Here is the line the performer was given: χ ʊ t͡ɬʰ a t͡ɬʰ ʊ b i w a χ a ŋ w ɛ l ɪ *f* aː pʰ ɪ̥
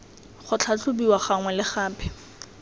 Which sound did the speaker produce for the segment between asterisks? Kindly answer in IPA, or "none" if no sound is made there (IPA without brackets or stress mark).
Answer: χ